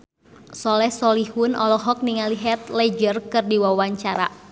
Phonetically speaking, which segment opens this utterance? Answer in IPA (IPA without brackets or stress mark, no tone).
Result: s